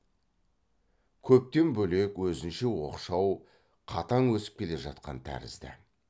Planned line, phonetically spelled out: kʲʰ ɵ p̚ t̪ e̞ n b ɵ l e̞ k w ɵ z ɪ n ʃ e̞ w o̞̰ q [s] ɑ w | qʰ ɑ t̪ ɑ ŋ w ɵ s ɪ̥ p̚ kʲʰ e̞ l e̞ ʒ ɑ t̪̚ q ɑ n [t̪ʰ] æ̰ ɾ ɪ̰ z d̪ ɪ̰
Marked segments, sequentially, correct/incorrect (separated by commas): incorrect, correct